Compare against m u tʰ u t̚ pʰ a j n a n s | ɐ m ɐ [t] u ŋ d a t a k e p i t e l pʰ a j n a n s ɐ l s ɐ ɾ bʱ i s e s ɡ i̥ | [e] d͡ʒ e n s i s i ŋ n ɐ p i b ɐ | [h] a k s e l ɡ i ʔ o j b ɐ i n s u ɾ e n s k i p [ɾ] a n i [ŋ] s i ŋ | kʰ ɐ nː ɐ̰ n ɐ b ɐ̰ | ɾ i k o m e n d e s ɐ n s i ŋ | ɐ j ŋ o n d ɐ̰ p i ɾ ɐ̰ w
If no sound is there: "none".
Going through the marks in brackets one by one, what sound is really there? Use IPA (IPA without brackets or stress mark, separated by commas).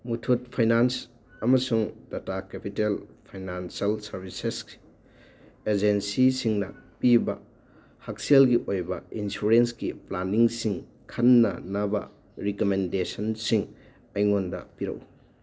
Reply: s, e, h, l, ŋ